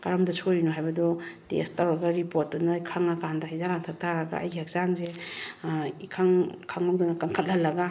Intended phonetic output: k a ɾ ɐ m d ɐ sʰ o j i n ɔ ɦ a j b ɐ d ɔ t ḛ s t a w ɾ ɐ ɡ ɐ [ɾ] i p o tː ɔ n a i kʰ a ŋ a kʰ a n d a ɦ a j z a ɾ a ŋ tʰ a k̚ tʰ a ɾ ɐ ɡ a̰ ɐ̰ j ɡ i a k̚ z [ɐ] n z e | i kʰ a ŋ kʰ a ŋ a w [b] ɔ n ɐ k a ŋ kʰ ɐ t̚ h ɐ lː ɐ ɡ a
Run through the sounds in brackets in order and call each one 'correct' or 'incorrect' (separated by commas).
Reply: correct, incorrect, incorrect